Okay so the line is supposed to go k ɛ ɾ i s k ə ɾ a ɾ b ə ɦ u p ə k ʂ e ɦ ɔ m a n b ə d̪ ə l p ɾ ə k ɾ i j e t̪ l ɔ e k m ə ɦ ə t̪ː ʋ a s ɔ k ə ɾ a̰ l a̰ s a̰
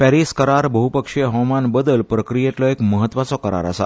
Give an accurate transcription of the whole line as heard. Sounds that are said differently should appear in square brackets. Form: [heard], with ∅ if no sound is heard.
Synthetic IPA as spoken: [p] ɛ ɾ i s k ə ɾ a ɾ b ə ɦ u p ə k ʂ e ɦ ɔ m a n b ə d̪ ə l p ɾ ə k ɾ i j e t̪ l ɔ e k m ə ɦ ə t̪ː ʋ a [t͡s] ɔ k ə ɾ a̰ [ɾ] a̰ s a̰